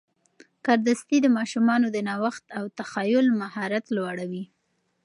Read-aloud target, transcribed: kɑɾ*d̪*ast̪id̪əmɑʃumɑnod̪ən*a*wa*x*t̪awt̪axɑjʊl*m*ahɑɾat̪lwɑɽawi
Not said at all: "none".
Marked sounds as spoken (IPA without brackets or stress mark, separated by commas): d̪, ɑ, x, m